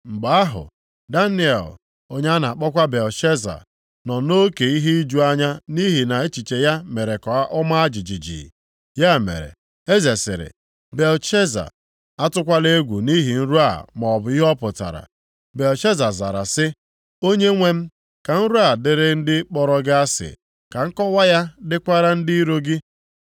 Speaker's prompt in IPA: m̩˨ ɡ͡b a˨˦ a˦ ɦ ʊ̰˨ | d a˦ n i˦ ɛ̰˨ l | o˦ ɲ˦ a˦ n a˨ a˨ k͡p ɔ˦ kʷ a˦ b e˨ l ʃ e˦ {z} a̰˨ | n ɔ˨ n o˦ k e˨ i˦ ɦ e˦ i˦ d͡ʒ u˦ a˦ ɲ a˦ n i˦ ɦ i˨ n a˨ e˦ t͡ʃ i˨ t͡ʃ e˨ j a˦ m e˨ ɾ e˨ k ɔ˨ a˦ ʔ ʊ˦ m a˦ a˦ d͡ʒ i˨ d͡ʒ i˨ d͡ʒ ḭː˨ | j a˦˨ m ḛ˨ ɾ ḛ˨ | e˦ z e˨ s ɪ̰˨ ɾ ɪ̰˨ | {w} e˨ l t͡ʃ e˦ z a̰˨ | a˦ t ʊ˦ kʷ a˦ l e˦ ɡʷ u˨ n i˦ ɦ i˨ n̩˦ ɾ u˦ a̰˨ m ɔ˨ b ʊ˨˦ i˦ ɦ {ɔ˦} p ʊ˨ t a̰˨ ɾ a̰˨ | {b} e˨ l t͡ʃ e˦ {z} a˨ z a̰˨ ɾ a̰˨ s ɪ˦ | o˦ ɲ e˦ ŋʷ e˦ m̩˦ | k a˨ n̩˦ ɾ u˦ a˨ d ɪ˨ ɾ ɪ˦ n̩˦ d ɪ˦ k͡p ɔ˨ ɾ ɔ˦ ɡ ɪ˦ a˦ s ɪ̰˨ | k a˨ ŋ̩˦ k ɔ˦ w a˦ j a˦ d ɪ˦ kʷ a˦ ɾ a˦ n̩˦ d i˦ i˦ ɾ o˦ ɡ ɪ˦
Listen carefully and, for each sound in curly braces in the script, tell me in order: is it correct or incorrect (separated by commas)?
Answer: correct, incorrect, correct, correct, correct